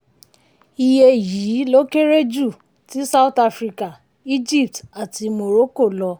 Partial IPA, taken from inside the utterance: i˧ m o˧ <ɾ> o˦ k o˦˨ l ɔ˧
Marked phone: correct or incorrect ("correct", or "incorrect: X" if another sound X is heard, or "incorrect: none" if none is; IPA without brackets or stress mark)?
correct